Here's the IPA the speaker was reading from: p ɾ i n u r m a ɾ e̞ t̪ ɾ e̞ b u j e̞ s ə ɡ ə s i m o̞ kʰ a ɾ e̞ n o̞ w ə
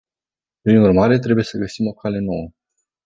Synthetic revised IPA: p ɾ i n u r m a ɾ e̞ t̪ ɾ e̞ b u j e̞ s ə ɡ ə s i m o̞ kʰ a l e̞ n o̞ w ə